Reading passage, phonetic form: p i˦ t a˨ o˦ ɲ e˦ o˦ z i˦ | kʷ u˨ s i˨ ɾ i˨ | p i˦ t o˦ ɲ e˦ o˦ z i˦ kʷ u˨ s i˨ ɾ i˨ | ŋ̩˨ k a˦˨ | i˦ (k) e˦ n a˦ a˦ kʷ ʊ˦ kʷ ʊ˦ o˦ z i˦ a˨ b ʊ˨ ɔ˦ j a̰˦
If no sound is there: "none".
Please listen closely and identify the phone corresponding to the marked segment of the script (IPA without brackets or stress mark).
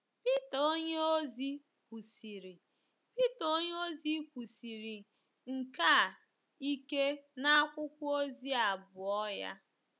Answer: k